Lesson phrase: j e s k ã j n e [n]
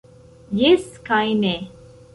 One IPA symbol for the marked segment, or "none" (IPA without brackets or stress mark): none